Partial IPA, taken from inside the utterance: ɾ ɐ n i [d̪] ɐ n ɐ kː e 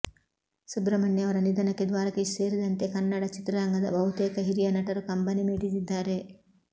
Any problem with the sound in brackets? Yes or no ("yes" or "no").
no